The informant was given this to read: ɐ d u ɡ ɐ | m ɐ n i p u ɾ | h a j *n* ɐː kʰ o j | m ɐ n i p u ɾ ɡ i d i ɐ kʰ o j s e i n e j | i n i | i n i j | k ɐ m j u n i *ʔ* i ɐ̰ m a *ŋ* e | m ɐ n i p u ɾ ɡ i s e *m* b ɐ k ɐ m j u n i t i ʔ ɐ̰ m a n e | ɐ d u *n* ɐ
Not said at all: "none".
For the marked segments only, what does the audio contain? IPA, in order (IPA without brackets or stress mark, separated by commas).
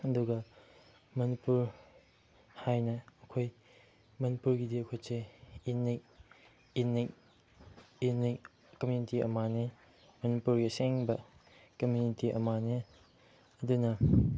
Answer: n, t, n, ŋ, n